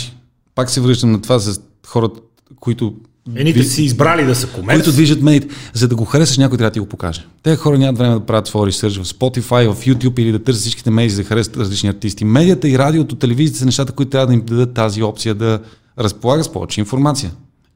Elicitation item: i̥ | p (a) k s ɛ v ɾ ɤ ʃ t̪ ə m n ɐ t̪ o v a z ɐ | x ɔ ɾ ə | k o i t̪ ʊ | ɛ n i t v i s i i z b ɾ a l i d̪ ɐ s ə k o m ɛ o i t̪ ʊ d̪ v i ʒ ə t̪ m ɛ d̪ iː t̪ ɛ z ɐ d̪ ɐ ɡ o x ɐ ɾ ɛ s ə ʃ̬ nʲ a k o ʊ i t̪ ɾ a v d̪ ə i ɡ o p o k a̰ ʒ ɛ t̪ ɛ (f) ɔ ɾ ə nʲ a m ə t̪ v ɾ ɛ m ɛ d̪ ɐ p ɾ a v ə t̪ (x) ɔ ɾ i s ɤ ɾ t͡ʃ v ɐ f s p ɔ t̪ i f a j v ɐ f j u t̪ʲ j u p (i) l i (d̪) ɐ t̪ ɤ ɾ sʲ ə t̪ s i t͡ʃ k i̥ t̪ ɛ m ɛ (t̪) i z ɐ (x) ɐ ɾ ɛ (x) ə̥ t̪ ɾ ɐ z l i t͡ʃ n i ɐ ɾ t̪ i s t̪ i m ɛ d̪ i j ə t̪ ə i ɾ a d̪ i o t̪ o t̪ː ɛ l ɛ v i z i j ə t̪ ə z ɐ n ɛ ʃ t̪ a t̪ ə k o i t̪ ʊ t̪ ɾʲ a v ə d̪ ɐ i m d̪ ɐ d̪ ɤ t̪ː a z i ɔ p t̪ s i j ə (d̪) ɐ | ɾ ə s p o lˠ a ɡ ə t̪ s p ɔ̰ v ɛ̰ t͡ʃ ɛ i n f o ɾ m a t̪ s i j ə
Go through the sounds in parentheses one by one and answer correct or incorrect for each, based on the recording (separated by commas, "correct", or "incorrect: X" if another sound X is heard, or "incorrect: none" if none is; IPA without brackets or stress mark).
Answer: correct, incorrect: x, incorrect: f, correct, correct, incorrect: d̪, correct, incorrect: s, correct